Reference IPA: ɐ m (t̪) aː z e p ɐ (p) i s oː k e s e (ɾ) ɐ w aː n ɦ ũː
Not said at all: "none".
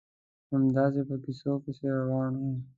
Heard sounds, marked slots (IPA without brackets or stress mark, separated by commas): d̪, k, ɾ